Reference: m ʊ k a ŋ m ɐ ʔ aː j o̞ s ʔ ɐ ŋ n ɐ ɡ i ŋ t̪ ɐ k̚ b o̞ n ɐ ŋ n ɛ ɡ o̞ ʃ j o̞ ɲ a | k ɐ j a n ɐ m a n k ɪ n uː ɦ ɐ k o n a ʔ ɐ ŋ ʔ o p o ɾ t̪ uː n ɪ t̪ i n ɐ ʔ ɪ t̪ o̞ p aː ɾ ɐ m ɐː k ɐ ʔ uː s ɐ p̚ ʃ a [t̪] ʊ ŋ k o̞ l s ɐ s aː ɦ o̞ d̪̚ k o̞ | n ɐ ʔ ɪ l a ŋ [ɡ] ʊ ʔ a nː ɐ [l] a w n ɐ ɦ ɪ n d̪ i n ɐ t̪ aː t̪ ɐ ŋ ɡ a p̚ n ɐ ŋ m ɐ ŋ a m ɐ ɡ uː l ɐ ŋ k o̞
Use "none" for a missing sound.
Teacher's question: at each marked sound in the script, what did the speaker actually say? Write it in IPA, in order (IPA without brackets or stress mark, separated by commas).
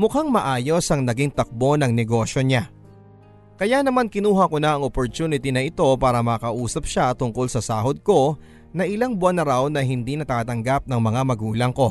t̪, b, ɾ